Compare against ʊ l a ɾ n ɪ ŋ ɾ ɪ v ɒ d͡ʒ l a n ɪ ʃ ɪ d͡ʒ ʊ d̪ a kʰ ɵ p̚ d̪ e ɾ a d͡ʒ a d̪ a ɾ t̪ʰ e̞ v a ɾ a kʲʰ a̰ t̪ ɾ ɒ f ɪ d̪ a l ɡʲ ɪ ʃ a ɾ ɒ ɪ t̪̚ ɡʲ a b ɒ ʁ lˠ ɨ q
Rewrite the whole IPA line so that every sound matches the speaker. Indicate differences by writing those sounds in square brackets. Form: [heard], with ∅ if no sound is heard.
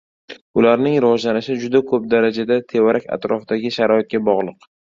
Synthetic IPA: ʊ l a ɾ n ɪ ŋ ɾ ɪ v ɒ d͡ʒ l a n ɪ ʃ ɪ d͡ʒ ʊ d̪ a kʰ ɵ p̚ d̪ [a] ɾ a d͡ʒ a d̪ a [∅] t̪ʰ e̞ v a ɾ a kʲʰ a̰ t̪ ɾ ɒ f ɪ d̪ a [∅] ɡʲ ɪ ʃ a ɾ ɒ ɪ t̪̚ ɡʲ a b ɒ ʁ lˠ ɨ q